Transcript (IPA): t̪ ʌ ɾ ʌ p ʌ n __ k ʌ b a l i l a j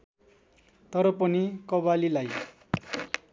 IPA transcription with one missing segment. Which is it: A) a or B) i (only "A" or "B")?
B